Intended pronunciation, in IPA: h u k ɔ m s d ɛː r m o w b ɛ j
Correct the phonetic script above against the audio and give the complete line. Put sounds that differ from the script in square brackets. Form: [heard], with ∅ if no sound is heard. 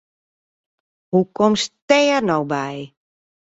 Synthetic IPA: h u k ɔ m s [t] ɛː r [n] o w b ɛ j